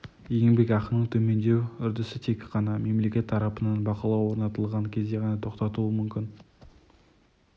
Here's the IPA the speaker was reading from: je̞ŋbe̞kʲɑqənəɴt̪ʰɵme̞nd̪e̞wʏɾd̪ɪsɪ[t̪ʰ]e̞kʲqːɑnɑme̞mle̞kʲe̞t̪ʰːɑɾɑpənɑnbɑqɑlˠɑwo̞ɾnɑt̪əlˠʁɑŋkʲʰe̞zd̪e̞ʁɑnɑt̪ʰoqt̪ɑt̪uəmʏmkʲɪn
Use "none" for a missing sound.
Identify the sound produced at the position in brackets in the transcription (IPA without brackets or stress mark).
t̪ʰ